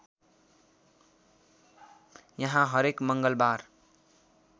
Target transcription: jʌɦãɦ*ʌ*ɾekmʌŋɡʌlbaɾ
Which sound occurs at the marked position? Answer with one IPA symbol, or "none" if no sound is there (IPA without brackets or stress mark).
ʌ